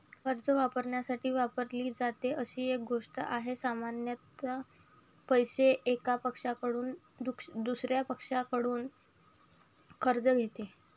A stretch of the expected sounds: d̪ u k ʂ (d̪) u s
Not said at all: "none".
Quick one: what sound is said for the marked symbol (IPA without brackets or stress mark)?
d̪